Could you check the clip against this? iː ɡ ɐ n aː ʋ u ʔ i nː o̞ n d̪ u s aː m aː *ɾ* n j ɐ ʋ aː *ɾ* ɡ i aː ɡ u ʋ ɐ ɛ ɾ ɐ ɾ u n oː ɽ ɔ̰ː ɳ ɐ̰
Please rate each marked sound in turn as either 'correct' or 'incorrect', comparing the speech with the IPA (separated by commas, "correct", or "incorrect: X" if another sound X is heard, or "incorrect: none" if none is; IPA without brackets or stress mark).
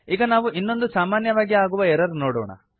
incorrect: none, incorrect: none